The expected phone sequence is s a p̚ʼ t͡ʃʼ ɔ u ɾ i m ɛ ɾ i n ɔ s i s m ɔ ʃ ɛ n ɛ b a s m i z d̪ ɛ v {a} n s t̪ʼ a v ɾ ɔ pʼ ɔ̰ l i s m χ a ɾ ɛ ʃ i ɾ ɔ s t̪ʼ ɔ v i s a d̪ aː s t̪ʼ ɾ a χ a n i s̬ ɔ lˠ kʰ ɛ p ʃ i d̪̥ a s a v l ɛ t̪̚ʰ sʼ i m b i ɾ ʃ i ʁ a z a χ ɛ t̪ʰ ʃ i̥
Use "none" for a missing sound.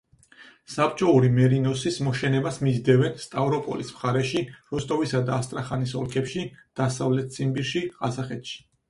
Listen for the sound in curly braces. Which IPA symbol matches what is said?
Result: ɛ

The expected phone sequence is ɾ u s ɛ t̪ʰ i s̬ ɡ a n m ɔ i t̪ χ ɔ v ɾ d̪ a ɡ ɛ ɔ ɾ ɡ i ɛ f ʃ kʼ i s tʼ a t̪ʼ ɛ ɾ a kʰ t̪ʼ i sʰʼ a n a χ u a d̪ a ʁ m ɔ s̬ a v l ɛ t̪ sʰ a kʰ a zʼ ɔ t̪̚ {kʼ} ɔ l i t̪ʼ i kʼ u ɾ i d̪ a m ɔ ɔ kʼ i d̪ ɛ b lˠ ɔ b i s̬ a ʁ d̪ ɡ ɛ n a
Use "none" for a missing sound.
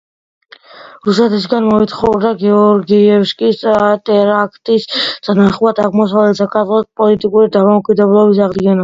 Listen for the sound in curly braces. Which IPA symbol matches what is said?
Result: pʼ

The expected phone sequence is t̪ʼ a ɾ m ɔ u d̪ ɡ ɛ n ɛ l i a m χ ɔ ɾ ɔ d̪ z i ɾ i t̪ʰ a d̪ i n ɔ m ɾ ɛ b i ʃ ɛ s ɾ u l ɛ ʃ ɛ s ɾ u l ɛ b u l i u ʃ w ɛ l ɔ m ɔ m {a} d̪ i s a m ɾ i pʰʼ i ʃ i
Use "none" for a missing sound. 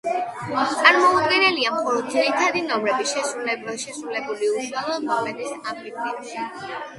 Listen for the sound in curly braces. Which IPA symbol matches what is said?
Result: ɛ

